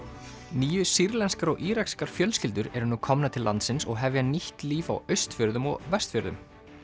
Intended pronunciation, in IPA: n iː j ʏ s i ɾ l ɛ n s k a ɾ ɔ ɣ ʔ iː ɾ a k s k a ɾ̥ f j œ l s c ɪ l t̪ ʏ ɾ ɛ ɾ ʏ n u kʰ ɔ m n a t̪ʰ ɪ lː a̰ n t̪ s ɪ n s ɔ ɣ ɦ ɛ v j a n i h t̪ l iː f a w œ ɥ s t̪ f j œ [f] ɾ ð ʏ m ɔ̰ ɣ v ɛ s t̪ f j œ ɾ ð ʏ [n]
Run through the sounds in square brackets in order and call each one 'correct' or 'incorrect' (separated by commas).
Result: incorrect, incorrect